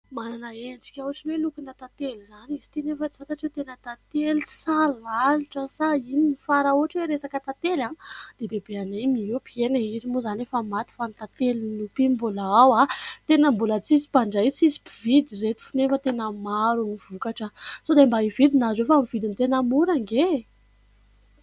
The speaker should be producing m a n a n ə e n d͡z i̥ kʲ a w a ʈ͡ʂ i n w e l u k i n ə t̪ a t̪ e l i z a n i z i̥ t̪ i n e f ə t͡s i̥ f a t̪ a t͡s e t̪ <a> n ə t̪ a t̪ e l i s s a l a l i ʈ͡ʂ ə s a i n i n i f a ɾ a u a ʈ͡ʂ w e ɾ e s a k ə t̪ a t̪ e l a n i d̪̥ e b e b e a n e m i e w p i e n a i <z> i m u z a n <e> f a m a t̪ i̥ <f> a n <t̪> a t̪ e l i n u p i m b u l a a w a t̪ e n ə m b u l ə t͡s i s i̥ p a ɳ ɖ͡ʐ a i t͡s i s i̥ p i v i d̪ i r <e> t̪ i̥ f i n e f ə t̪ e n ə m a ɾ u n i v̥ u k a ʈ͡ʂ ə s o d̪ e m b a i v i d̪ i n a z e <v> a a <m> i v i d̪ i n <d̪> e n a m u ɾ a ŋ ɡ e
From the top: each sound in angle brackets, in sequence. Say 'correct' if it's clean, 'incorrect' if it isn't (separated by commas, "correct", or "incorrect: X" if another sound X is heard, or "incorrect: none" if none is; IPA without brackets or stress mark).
incorrect: e, correct, correct, correct, correct, correct, incorrect: f, correct, incorrect: t̪